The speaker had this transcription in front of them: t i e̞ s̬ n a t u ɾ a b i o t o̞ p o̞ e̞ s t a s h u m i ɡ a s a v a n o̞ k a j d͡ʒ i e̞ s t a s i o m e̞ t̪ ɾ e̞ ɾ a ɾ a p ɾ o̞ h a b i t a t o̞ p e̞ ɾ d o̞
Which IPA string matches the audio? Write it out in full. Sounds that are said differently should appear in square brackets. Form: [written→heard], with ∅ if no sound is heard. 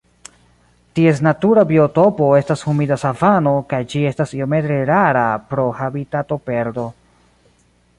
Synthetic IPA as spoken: t i e̞ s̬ n a t u ɾ a b i o t o̞ p o̞ e̞ s t a s h u m i [ɡ→d] a s a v a n o̞ k a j d͡ʒ i e̞ s t a s i o m e̞ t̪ ɾ e̞ ɾ a ɾ a p ɾ o̞ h a b i t a t o̞ p e̞ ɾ d o̞